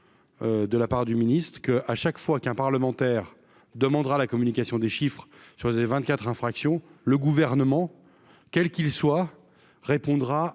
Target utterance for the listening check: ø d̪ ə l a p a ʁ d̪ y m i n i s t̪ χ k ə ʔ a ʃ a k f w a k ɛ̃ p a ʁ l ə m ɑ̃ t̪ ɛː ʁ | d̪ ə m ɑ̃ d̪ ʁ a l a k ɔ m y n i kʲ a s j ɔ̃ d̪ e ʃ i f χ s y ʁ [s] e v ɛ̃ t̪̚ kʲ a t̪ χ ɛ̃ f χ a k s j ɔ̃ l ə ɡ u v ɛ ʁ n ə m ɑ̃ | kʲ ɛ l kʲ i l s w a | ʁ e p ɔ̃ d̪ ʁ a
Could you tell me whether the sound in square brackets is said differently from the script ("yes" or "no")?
no